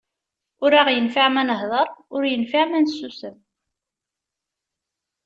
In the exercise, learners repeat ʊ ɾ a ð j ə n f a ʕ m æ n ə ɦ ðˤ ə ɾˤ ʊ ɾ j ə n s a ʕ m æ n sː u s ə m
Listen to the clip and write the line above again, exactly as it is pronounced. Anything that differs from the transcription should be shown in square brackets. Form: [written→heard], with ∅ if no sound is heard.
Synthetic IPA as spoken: ʊ ɾ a [ð→ʁ] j ə n f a ʕ m æ n ə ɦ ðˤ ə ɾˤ ʊ ɾ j ə n [s→f] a ʕ m æ n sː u s ə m